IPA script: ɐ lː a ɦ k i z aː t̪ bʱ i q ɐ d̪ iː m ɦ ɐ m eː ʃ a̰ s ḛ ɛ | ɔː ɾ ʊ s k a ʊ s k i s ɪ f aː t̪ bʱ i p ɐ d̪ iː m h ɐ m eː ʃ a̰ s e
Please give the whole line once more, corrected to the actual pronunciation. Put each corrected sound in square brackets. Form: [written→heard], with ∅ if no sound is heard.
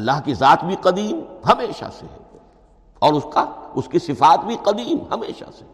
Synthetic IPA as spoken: ɐ lː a ɦ k i z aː t̪ bʱ i q ɐ d̪ iː m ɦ ɐ m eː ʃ a̰ s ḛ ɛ | ɔː ɾ ʊ s k a ʊ s k i s ɪ f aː t̪ bʱ i [p→q] ɐ d̪ iː m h ɐ m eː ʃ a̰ s e